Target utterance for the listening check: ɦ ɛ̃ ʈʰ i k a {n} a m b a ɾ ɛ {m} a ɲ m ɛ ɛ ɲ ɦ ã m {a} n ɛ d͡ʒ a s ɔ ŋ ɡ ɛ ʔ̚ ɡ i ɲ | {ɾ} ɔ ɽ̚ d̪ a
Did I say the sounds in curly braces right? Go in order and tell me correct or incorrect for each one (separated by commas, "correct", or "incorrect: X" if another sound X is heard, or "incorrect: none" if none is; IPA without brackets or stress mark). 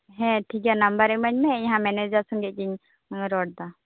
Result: correct, correct, incorrect: ɛ, correct